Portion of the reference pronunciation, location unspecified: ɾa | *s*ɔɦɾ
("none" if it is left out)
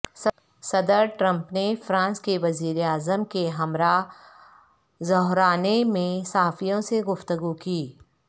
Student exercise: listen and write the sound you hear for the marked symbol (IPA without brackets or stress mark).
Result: z